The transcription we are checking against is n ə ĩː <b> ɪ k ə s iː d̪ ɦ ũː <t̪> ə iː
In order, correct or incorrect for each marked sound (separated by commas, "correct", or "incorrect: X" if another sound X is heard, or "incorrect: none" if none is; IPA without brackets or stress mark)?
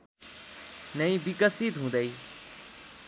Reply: correct, incorrect: d̪